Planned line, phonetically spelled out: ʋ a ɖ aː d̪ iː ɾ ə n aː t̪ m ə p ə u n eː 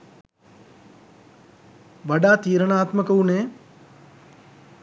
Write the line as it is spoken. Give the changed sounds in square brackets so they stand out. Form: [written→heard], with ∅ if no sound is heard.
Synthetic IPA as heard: ʋ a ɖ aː [d̪→t̪] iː ɾ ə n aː t̪ m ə [p→k] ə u n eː